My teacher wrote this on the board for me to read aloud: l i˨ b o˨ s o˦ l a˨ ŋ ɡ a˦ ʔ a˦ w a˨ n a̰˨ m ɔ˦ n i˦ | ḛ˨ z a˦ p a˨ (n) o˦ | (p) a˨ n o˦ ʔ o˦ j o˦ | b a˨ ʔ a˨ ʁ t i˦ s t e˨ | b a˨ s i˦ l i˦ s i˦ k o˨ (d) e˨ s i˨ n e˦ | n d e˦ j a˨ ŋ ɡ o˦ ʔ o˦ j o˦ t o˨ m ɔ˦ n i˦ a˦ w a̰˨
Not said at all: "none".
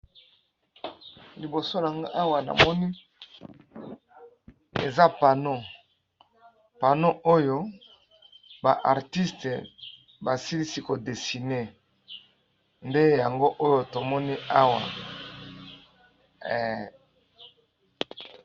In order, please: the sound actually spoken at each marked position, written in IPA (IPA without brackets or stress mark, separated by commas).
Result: n, p, d